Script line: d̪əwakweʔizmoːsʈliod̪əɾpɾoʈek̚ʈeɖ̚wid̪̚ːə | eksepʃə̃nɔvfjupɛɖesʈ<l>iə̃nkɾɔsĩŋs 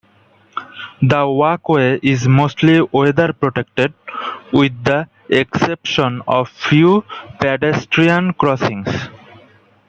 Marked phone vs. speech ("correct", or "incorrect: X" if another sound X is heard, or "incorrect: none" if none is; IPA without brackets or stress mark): incorrect: ɾ